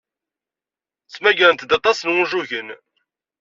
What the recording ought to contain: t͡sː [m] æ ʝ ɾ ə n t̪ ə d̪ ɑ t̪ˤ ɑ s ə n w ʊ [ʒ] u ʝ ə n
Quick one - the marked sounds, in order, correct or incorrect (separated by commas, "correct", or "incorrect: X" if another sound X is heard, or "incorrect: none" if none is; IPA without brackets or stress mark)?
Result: correct, correct